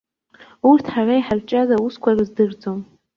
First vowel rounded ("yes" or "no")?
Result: yes